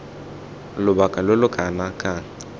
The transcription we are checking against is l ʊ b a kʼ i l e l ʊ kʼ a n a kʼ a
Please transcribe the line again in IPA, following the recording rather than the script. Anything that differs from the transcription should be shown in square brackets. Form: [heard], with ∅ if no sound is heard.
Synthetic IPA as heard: l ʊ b a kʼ [a] l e l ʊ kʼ a n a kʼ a